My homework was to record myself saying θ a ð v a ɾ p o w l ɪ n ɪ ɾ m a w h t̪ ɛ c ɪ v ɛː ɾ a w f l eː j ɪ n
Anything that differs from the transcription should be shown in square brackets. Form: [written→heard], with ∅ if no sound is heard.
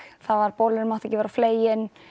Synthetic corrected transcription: θ a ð v a ɾ p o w l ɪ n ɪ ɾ m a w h t̪ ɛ c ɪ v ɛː ɾ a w f l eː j ɪ n